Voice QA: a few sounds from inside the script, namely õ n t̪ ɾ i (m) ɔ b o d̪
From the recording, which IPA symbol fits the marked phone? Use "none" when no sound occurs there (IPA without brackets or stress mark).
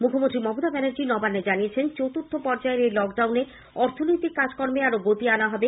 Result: m